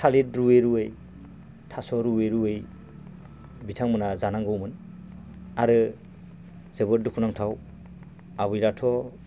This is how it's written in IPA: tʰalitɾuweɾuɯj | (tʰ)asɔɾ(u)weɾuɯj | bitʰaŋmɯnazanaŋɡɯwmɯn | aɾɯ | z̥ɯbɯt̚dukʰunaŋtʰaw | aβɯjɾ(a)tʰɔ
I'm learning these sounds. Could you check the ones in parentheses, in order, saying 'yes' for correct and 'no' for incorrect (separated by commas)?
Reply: yes, yes, yes